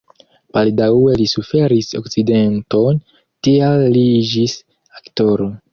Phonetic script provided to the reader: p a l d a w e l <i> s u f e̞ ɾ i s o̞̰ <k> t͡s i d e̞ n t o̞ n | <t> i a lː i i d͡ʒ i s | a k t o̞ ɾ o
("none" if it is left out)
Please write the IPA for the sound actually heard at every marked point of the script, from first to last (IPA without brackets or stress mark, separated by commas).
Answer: i, k, t